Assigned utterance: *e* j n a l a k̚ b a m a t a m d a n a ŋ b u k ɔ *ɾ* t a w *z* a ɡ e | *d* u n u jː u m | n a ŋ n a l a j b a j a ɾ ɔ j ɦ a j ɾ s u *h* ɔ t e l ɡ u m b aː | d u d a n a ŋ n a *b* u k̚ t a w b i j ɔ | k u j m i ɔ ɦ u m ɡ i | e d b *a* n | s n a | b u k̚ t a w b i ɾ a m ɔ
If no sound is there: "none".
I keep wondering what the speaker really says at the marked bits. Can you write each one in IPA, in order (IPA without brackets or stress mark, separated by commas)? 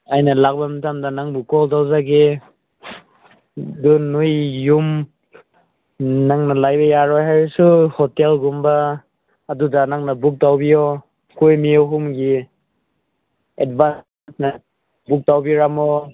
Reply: a, l, z, d, h, b, a